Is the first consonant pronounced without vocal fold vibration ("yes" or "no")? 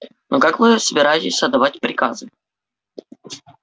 no